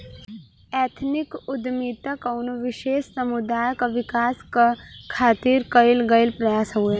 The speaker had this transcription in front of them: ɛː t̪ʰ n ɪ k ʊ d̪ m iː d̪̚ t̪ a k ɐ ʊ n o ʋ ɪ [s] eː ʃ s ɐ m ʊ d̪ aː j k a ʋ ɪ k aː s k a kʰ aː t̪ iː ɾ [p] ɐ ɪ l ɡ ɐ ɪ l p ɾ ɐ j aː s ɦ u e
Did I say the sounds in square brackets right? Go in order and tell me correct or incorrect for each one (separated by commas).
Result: incorrect, incorrect